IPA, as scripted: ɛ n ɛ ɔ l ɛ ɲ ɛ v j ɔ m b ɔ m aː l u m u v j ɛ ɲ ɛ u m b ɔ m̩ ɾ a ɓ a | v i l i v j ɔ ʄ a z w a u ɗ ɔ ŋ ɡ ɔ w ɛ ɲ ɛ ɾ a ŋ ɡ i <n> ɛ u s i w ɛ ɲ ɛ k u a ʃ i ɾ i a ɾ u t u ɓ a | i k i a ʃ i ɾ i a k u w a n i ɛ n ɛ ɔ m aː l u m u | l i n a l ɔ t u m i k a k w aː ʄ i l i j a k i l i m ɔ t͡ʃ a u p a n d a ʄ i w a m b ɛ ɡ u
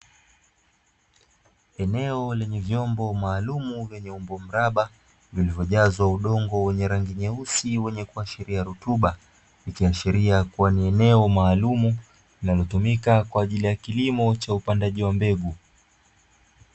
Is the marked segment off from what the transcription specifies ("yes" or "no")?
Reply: yes